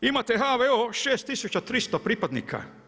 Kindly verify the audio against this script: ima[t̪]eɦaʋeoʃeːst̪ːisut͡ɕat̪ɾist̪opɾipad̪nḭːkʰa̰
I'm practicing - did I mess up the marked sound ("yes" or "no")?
no